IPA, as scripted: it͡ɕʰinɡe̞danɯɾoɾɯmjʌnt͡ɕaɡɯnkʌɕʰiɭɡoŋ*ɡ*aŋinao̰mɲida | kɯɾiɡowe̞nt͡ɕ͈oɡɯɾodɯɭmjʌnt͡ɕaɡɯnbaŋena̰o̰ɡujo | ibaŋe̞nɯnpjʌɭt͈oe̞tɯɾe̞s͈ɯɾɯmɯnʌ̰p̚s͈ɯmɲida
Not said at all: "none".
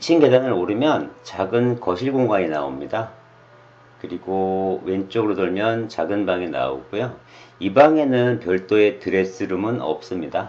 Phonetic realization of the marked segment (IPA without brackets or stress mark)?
ɡ